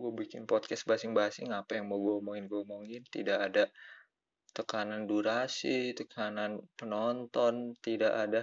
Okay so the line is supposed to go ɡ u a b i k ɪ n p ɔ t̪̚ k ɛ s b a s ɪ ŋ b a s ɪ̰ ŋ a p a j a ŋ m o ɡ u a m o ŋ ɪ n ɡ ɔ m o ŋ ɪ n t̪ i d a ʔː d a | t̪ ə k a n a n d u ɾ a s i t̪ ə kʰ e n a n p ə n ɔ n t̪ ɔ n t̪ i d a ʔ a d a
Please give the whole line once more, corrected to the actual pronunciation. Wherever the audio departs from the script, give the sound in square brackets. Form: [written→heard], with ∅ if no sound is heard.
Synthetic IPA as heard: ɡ u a b i k ɪ n p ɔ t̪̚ k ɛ s b a s ɪ ŋ b a s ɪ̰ ŋ a p a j a ŋ m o ɡ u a m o ŋ ɪ n ɡ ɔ m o ŋ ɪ n t̪ i d a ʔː d a | t̪ ə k a n a n d u ɾ a s i t̪ ə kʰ [e→a] n a n p ə n ɔ n t̪ ɔ n t̪ i d a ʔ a d a